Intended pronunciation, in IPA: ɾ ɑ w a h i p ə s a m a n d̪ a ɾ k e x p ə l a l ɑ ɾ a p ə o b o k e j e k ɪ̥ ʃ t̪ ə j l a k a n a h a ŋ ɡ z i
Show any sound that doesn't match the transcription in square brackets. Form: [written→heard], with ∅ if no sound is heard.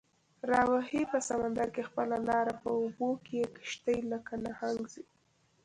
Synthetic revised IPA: ɾ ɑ w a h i p ə s a m a n d̪ a ɾ k e x p ə l a l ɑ ɾ a p ə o b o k e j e k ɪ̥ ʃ t̪ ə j l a k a n a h a ŋ ɡ z i